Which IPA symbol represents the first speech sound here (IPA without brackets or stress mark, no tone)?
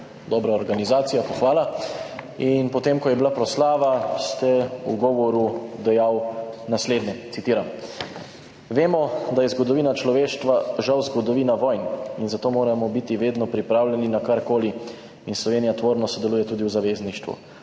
d̪